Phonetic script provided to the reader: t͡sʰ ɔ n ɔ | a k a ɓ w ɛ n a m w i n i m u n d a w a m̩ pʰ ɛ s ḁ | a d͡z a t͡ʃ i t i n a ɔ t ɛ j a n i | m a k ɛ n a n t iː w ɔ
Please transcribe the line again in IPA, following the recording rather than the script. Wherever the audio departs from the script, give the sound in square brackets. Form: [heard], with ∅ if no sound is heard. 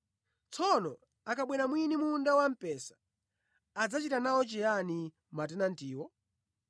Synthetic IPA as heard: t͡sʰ ɔ n ɔ | a k a ɓ w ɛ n a m w i n i m u n d a w a m̩ [p] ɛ s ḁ | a d͡z a t͡ʃ i t [a] n a ɔ [t͡ʃ] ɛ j a n i | m a [t] ɛ n a n t iː w ɔ